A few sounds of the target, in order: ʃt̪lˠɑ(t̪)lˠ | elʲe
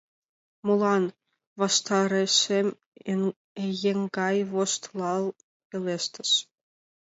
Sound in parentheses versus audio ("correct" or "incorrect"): incorrect